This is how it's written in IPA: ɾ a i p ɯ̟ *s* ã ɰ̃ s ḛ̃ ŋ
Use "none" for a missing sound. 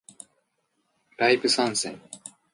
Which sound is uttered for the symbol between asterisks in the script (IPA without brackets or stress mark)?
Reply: s